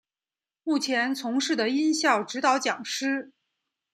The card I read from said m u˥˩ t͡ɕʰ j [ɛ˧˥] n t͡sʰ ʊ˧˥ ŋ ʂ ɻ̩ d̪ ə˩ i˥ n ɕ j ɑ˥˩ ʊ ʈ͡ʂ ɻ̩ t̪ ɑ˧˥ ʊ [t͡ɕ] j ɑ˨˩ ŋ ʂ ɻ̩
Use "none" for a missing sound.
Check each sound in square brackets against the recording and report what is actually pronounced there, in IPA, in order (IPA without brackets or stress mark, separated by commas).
ɛ˧˥, t͡ɕ